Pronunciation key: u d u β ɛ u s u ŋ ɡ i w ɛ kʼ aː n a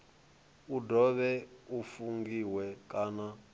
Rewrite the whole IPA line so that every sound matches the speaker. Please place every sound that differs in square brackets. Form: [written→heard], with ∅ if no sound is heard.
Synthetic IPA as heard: u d [u→ɔ] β ɛ u [s→f] u ŋ ɡ i w ɛ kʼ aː n a